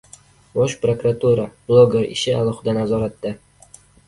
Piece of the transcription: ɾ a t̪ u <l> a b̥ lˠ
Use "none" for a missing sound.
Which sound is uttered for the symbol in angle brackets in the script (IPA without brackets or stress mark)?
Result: ɾ